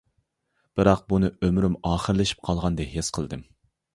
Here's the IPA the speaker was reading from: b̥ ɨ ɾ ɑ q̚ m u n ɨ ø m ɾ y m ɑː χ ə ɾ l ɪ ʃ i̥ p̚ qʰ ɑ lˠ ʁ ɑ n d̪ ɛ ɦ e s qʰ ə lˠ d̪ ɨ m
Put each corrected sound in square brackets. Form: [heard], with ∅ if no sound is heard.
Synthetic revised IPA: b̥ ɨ ɾ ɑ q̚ [b] u n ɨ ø m ɾ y m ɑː χ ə ɾ l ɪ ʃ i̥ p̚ qʰ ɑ lˠ ʁ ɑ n d̪ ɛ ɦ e s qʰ ə lˠ d̪ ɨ m